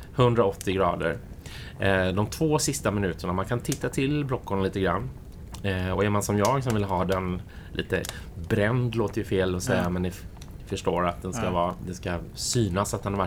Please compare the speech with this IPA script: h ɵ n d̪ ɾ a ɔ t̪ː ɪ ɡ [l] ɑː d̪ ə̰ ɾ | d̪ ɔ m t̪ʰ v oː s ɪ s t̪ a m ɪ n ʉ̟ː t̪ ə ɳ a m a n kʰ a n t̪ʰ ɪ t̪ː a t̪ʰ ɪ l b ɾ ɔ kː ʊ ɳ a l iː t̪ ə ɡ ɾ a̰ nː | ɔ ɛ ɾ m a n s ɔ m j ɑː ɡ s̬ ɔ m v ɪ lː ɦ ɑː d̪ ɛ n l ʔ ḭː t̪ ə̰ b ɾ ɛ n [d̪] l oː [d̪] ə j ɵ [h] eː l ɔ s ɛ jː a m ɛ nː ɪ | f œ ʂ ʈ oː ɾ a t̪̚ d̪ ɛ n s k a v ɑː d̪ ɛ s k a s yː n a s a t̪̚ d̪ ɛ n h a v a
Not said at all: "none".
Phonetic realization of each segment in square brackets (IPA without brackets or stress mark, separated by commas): ɾ, d̪, t̪, f